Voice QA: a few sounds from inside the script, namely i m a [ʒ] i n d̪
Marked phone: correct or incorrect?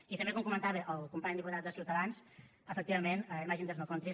correct